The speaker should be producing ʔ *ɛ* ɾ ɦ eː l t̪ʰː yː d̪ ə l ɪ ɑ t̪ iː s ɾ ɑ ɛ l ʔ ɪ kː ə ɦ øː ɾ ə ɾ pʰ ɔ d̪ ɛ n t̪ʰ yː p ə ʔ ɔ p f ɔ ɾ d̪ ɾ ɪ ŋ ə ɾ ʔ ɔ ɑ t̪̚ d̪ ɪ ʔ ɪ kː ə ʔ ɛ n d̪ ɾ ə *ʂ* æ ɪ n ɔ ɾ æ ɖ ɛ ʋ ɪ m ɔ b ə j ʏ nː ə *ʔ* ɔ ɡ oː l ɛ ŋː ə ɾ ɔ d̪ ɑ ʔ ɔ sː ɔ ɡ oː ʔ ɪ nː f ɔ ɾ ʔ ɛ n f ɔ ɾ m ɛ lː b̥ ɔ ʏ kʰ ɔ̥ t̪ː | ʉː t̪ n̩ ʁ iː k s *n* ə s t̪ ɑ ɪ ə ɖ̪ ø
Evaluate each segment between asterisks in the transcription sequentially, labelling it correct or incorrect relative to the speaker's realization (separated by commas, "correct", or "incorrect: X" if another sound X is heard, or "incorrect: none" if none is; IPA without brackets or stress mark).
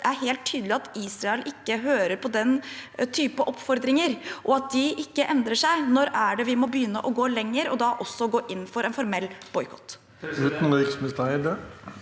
incorrect: æ, correct, correct, incorrect: m